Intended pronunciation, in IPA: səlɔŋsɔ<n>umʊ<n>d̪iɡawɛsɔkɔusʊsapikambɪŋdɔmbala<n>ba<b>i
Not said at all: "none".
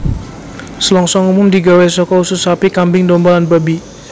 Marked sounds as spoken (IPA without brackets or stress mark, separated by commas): ŋ, m, n, b